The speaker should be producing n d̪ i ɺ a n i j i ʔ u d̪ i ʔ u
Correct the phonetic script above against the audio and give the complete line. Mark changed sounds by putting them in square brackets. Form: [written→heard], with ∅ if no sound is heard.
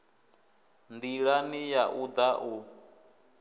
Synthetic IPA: n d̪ i ɺ a n i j [i→a] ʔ u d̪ [i→a] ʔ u